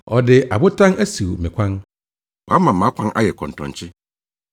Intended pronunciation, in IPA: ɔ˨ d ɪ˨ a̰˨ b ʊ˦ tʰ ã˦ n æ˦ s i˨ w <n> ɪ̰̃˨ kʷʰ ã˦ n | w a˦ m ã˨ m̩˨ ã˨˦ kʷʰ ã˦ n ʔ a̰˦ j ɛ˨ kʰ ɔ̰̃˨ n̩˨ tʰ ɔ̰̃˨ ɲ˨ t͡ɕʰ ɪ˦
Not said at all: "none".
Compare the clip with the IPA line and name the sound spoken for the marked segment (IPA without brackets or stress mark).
m